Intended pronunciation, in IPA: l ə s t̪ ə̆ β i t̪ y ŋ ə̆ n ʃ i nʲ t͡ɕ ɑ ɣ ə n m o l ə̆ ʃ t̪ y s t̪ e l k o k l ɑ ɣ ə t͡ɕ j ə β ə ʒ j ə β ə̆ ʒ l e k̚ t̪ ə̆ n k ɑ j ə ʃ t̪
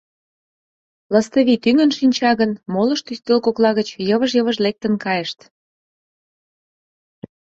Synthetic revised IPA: l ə s t̪ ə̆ β i t̪ y ŋ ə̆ n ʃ i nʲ t͡ɕ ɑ ɣ ə n m o l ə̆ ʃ t̪ y s t̪ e l k o k l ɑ ɣ ə t͡ɕ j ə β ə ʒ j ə β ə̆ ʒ l e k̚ t̪ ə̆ n k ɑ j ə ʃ t̪